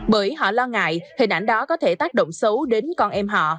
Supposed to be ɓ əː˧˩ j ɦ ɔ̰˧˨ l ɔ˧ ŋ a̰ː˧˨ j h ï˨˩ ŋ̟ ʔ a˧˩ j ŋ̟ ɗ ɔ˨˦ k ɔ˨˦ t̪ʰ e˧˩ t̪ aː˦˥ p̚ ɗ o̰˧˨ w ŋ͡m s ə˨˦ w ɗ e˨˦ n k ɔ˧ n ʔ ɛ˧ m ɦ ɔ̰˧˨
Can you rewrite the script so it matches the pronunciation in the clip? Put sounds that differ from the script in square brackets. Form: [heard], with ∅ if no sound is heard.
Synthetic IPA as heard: ɓ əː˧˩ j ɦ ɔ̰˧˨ l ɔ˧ ŋ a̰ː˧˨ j h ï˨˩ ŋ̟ ʔ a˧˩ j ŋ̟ ɗ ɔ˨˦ k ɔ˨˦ t̪ʰ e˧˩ t̪ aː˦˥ [k̚] ɗ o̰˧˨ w ŋ͡m s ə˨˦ w ɗ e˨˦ n k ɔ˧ n ʔ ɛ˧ m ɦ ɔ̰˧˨